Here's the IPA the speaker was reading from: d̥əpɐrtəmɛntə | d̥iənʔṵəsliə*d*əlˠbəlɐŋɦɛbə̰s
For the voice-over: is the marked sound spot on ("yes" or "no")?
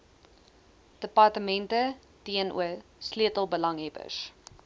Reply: no